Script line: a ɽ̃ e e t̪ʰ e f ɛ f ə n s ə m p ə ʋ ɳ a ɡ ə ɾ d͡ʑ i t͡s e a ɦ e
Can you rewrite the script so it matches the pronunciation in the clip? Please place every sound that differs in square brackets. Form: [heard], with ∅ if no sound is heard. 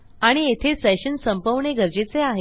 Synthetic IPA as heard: a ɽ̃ [i] e t̪ʰ e [s] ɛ [ɕ] ə n s ə m p ə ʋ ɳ [e] ɡ ə ɾ d͡ʑ [e] t͡s e a ɦ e